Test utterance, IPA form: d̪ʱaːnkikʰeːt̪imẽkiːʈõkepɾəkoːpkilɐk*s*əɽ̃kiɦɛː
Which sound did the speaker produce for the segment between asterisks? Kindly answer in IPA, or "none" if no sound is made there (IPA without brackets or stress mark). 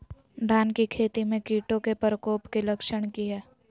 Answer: ʃ